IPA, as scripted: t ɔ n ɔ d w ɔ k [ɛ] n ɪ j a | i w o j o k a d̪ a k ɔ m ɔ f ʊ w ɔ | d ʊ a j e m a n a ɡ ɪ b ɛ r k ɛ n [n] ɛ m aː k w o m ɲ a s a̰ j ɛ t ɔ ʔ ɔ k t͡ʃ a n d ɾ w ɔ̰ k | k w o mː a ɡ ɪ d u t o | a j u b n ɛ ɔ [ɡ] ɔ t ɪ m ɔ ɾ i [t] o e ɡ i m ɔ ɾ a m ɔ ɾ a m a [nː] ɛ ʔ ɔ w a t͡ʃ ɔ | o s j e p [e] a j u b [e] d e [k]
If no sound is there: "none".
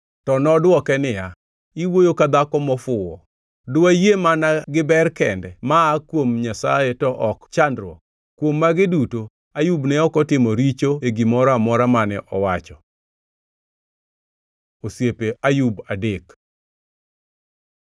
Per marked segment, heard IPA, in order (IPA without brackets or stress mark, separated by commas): ɛ, d, k, t͡ʃ, n, e, a, k